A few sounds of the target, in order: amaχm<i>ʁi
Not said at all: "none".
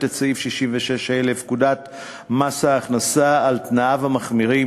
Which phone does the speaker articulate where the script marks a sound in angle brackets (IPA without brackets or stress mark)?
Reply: i